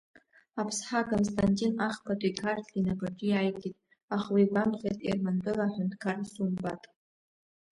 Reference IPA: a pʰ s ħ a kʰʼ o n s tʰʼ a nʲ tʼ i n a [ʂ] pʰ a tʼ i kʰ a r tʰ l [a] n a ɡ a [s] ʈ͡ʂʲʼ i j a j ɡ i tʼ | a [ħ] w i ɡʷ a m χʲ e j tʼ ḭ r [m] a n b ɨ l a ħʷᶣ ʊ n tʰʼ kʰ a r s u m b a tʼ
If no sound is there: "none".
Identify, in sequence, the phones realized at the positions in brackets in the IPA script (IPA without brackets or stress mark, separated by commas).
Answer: χ, i, none, χ, m